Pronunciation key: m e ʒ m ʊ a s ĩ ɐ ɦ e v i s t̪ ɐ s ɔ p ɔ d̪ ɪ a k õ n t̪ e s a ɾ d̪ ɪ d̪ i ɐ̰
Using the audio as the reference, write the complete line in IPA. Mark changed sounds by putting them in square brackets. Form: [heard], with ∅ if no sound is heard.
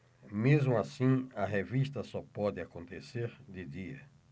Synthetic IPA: m e [z] m ʊ a s ĩ ɐ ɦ e v i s t̪ ɐ s ɔ p ɔ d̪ ɪ a k õ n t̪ e s [e] ɾ d̪ ɪ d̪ i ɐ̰